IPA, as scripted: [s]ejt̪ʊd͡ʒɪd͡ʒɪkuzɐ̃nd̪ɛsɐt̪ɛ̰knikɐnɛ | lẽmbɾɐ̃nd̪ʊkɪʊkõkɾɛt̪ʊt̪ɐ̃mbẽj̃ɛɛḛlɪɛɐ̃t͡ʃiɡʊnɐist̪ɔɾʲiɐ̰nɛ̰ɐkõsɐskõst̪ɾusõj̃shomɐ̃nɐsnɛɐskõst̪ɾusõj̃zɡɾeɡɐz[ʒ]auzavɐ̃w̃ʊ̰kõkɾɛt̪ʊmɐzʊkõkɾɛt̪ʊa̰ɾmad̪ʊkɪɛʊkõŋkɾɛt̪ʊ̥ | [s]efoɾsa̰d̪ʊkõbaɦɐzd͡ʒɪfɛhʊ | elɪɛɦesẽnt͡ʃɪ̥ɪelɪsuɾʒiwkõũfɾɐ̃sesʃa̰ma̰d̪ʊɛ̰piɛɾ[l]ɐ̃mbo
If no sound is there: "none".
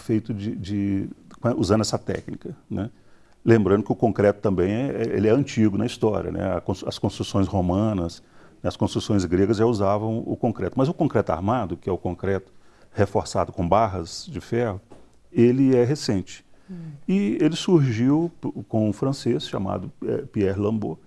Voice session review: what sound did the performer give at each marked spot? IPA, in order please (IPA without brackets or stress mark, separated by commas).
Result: f, ʒ, h, l